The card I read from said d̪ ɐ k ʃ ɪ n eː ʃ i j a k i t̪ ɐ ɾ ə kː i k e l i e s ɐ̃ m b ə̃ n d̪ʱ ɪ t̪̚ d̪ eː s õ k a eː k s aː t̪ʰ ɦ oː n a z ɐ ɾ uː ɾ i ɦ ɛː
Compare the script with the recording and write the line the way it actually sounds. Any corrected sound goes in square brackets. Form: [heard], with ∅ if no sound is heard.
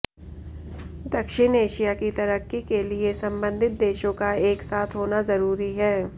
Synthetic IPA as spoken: d̪ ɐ k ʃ ɪ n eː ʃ i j a k i t̪ ɐ ɾ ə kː i k e l i e s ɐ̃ m b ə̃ n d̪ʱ ɪ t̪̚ d̪ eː [ʃ] õ k a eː k s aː t̪ʰ ɦ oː n a z ɐ ɾ uː ɾ i ɦ ɛː